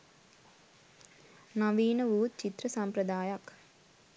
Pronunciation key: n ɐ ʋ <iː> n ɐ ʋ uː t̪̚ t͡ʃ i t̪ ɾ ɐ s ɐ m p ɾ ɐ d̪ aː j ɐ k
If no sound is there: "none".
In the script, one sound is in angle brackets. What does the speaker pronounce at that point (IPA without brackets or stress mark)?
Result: iː